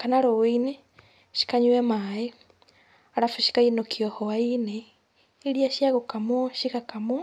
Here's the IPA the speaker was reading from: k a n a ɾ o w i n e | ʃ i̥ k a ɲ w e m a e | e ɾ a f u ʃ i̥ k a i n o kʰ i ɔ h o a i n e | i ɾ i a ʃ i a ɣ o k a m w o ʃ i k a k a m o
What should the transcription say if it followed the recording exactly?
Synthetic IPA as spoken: k a n a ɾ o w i n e | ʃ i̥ k a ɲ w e m a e | a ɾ a f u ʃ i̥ k a i n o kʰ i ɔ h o a i n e | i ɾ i a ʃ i a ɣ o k a m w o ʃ i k a k a m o